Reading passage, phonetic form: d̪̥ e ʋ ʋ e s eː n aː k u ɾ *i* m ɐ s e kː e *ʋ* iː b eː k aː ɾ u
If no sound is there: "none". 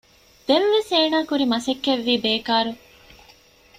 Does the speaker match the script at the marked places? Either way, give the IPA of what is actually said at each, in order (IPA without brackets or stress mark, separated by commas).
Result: i, ʋː